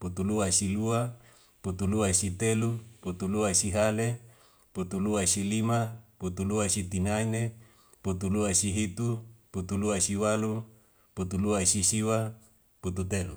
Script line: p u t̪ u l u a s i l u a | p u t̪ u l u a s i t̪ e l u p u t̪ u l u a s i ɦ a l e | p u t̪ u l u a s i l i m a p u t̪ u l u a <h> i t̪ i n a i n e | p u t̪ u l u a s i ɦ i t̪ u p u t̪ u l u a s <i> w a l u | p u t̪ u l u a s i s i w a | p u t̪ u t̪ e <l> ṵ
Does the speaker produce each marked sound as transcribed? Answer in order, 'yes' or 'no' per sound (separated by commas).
no, yes, yes